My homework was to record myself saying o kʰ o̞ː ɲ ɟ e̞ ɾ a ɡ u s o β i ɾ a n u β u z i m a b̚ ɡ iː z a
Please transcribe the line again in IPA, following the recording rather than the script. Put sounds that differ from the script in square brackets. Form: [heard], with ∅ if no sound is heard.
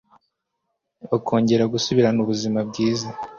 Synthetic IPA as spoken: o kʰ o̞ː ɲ ɟ e̞ ɾ a ɡ u s [u] β i ɾ a n u β u z i m a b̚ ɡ iː z a